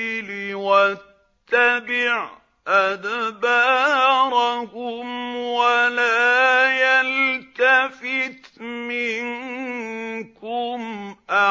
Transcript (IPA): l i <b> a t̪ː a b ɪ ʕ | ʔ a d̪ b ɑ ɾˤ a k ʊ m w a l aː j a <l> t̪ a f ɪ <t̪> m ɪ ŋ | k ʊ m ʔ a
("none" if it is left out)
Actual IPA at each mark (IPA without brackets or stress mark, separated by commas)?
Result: w, l, t̪